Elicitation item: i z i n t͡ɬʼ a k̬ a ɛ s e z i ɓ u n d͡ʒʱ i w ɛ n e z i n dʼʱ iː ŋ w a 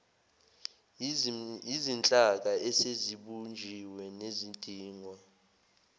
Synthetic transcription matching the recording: i z i n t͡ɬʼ a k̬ a ɛ s e z i ɓ u n d͡ʒʱ i w ɛ n e z i n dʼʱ iː ŋ w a